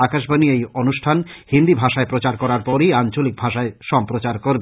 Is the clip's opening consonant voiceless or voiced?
voiceless